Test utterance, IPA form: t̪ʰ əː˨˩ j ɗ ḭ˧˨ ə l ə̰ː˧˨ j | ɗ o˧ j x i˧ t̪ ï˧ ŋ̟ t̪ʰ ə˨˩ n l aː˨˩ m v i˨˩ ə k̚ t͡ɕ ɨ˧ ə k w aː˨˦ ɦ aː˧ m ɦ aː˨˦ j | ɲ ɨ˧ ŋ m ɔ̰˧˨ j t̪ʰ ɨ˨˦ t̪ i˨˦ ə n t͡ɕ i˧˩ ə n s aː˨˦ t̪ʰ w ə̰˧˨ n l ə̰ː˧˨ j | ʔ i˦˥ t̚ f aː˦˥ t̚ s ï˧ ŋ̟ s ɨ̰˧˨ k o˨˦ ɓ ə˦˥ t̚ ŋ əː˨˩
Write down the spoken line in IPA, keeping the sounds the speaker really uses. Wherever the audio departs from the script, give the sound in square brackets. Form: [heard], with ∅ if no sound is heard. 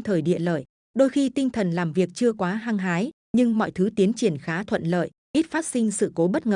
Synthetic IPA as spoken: t̪ʰ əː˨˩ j ɗ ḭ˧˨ ə l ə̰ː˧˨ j | ɗ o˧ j x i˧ t̪ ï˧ ŋ̟ t̪ʰ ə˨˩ n l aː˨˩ m v i˨˩ ə k̚ t͡ɕ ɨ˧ ə k w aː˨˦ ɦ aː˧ [ŋ] ɦ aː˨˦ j | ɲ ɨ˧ ŋ m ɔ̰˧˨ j t̪ʰ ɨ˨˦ t̪ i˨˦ ə n t͡ɕ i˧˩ ə n [x] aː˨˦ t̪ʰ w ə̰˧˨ n l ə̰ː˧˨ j | ʔ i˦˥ t̚ f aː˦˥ t̚ s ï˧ ŋ̟ s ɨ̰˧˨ k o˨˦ ɓ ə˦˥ t̚ ŋ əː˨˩